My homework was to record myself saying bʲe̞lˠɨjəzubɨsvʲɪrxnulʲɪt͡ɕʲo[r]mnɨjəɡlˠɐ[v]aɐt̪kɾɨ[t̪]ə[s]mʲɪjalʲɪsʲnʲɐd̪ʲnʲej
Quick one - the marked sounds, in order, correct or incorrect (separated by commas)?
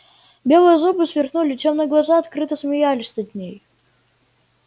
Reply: incorrect, incorrect, correct, correct